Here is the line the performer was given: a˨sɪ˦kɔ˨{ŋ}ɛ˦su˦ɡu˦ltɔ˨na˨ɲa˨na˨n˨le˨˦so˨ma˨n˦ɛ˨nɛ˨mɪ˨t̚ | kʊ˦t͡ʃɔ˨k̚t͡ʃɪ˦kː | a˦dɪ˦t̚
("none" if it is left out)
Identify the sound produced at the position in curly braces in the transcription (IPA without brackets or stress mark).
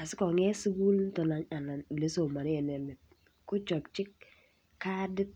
ŋ